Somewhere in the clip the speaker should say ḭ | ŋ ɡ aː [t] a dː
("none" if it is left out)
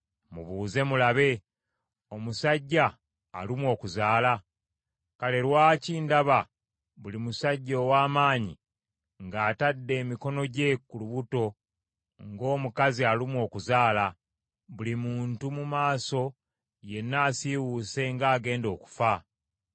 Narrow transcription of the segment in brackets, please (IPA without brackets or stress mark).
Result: t